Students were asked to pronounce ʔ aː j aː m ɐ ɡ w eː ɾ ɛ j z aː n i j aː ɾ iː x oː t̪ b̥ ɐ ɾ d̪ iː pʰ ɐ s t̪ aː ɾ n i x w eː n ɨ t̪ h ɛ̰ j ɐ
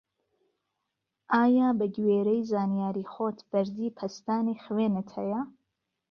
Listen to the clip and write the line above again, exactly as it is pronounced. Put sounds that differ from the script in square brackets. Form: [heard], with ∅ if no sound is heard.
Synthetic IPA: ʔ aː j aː [b] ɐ ɡ w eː ɾ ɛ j z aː n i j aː ɾ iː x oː t̪ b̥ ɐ ɾ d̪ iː pʰ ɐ s t̪ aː [∅] n i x w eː n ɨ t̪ h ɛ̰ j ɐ